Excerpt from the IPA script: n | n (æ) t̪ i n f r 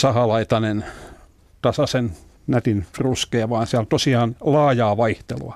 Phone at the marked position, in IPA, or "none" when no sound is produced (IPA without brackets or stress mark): æ